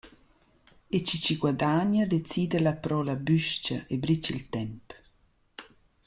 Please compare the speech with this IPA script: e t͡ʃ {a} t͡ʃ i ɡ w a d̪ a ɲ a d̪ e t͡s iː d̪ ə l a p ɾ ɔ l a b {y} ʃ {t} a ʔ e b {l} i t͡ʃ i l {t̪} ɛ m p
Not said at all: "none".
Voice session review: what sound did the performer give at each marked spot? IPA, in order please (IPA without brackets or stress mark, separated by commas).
i, y, t͡ʃ, ɾ, t̪